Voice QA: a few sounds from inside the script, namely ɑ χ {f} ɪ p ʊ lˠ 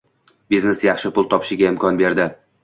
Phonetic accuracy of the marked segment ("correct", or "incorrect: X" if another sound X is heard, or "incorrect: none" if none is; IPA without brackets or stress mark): incorrect: ʃ